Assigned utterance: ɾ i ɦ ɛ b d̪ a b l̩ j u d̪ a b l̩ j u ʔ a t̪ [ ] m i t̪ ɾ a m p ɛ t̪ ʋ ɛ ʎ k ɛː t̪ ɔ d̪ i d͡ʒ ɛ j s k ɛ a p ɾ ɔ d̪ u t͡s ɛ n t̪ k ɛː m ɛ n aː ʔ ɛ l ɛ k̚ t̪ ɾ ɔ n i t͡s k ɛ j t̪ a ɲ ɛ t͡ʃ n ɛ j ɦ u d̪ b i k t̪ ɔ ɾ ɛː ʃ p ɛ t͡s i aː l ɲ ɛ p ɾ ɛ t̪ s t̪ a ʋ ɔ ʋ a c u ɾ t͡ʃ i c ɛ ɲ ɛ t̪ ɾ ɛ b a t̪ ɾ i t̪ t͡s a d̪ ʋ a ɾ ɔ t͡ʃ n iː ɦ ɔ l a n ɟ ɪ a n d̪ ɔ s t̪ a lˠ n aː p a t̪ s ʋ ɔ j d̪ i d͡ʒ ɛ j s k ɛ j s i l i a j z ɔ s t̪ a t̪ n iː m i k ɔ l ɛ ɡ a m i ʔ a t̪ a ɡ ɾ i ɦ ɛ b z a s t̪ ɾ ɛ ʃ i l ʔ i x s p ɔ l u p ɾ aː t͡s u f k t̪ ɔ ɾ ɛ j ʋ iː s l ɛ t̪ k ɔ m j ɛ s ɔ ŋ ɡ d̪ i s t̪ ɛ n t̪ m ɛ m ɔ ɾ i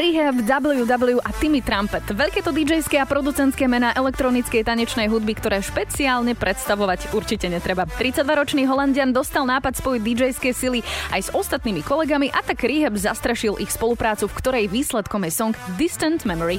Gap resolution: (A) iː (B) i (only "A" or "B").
B